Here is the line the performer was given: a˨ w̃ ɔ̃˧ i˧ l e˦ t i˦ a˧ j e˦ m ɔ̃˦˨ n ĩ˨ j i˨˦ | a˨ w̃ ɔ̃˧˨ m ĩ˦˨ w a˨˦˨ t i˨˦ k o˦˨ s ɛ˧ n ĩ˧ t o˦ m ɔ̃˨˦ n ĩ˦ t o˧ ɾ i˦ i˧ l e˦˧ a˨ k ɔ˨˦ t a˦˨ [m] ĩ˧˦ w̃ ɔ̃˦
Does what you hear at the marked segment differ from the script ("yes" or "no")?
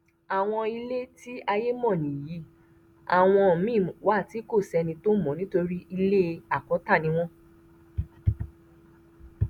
yes